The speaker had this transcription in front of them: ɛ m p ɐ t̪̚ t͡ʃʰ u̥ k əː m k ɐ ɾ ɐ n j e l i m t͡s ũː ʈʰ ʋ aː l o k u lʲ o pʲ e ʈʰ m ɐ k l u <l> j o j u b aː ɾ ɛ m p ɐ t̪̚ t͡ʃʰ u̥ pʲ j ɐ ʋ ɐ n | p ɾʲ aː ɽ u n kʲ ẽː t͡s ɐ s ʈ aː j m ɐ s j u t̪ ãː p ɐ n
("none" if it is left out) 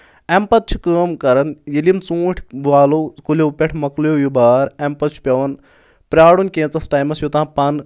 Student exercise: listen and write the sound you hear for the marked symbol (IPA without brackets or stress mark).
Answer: none